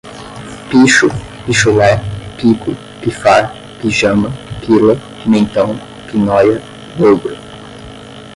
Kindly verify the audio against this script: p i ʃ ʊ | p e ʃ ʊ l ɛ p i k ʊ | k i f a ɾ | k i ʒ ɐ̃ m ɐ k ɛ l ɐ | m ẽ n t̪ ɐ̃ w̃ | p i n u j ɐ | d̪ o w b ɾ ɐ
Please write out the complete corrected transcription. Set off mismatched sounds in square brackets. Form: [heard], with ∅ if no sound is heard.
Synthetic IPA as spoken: p i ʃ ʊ | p [i] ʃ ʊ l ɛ p i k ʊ | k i f a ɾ | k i ʒ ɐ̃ m ɐ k [i] l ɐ | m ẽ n t̪ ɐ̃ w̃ | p i n [ɔ] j ɐ | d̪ o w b ɾ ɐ